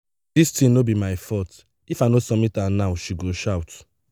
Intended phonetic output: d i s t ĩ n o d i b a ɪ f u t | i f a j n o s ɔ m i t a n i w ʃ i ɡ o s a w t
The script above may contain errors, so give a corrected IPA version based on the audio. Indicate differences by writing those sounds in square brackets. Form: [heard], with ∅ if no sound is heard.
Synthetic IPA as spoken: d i s t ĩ n o [b] i [m] a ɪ f [ɔ] t | i f a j n o s ɔ m i t a n [a] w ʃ i ɡ o [ʃ] a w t